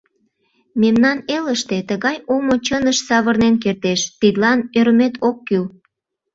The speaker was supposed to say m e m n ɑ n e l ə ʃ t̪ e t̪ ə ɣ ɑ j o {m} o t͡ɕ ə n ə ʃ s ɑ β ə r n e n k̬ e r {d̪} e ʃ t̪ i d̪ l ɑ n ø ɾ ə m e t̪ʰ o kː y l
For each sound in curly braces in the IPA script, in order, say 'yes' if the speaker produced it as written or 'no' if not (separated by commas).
yes, no